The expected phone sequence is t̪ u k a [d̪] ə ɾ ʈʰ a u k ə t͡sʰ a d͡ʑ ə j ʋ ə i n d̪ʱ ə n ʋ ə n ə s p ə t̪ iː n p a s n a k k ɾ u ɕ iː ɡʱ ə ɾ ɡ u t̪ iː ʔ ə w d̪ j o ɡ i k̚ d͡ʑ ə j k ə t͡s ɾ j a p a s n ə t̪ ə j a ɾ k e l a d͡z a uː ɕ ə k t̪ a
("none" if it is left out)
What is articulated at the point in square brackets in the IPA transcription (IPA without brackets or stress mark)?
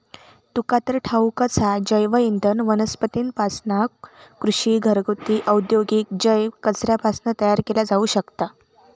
t̪